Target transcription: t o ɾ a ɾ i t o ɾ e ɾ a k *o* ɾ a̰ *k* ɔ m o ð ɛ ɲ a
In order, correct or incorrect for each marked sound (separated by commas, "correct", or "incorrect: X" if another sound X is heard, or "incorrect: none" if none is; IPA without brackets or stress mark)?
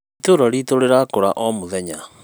correct, incorrect: ʔ